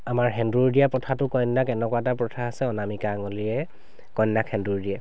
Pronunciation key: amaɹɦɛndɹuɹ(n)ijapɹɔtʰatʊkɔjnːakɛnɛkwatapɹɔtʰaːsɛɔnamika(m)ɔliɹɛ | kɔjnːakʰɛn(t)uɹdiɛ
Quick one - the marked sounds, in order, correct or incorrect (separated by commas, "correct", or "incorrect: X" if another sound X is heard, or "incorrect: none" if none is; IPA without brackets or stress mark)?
incorrect: d, incorrect: ŋ, incorrect: d